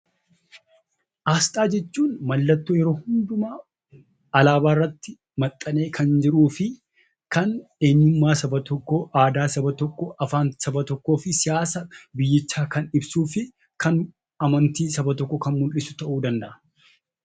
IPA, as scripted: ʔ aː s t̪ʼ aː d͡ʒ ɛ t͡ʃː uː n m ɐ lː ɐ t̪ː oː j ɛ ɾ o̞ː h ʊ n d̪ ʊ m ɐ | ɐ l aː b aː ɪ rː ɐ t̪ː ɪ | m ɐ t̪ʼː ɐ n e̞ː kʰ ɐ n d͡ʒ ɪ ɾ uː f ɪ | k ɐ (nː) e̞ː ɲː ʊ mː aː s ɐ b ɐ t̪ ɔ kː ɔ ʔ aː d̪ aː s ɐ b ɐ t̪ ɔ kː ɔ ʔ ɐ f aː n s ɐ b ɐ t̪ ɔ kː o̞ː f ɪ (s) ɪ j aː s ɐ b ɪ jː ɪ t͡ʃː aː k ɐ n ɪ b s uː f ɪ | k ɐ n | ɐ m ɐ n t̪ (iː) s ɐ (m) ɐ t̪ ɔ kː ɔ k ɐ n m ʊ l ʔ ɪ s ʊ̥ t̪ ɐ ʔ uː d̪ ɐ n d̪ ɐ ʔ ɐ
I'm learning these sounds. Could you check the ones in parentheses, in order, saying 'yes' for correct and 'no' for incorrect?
no, yes, yes, no

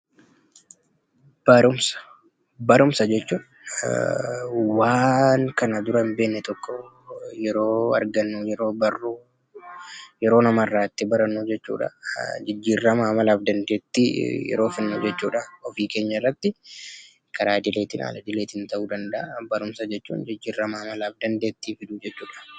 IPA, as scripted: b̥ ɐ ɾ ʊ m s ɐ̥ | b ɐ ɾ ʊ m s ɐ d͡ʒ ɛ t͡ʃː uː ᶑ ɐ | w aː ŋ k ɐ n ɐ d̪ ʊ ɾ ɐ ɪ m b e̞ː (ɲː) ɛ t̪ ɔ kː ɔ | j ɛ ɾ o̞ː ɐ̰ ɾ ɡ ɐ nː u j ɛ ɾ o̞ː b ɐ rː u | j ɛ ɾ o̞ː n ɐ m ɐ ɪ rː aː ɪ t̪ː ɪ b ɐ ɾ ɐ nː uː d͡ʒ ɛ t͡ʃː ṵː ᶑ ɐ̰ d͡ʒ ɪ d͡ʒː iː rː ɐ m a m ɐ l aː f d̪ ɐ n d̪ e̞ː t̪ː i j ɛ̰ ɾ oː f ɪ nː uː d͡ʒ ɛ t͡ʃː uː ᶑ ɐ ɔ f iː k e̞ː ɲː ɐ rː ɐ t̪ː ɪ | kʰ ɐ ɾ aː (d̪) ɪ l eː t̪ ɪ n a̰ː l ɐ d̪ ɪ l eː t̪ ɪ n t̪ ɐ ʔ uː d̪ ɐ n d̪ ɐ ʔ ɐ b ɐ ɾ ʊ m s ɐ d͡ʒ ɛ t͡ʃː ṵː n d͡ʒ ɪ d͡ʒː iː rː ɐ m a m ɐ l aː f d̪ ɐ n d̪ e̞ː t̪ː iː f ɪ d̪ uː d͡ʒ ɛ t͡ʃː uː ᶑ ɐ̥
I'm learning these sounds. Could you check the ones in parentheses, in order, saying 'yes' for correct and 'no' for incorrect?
no, yes

